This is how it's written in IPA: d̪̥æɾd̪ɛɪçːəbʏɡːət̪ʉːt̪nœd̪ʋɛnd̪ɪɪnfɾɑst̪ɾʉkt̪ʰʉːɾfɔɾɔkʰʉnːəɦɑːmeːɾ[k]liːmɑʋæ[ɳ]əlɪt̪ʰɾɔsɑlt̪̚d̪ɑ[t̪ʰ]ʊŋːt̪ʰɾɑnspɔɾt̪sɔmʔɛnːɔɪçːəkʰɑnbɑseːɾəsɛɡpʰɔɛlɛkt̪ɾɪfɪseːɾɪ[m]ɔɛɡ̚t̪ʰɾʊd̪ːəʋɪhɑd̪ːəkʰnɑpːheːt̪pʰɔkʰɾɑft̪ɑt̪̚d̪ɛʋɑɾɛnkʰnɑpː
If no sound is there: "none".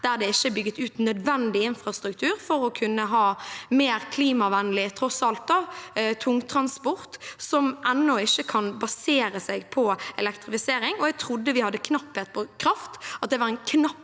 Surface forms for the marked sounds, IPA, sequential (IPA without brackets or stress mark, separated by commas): kʰ, n, t̪ʰ, ŋ